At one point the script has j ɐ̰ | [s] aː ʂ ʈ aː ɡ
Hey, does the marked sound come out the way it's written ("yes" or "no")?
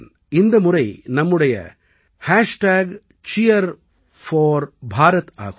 no